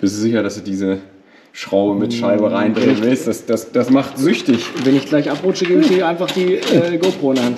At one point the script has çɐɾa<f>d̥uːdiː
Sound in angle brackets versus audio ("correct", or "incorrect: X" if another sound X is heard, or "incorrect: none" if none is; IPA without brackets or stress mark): incorrect: s